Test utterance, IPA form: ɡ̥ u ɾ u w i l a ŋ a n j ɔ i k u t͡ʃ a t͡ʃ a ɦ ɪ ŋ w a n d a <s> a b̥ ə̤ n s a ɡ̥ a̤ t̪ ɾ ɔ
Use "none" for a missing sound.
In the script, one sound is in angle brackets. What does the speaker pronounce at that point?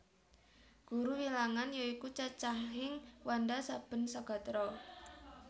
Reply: s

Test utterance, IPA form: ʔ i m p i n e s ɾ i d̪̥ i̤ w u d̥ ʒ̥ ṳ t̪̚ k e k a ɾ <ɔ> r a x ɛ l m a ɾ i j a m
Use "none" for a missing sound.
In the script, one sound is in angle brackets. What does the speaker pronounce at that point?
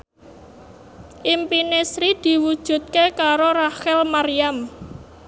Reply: o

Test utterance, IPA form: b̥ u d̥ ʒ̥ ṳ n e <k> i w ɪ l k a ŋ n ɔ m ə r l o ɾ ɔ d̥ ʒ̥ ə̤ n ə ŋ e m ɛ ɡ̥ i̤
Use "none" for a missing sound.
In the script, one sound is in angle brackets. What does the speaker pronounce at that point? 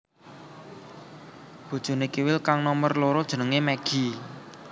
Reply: k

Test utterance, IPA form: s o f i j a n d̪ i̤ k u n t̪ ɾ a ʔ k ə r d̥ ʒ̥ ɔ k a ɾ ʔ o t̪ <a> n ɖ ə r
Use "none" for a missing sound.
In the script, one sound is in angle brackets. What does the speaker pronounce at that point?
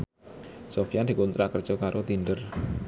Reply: i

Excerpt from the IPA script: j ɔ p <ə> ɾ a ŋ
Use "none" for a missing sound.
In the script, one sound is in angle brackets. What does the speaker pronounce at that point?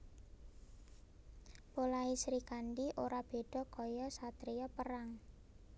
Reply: ə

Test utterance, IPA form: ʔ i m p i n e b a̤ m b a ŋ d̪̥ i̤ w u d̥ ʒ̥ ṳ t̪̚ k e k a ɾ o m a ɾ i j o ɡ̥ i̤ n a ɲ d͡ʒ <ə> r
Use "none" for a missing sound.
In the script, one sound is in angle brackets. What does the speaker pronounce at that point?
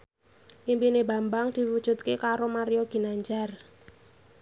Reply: a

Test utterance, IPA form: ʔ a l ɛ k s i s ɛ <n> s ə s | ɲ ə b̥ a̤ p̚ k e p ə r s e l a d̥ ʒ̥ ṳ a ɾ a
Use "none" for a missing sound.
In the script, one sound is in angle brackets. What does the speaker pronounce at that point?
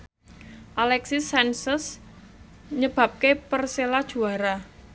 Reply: n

